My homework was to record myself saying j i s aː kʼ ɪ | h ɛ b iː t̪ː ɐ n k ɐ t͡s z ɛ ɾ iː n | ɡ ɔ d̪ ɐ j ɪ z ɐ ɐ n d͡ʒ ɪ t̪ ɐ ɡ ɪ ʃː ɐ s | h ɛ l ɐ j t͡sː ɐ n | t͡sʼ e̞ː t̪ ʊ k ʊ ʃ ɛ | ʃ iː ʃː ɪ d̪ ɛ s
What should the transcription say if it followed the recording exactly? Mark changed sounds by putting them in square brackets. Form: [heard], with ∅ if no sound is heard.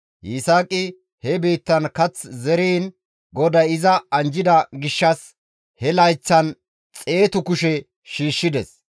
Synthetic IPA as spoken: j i s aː kʼ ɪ | h ɛ b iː t̪ː ɐ n k ɐ t͡s z ɛ ɾ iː n | ɡ ɔ d̪ ɐ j ɪ z ɐ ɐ n d͡ʒ ɪ [d̪] ɐ ɡ ɪ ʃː ɐ s | h ɛ l ɐ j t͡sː ɐ n | t͡sʼ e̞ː t̪ ʊ k ʊ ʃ ɛ | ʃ iː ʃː ɪ d̪ ɛ s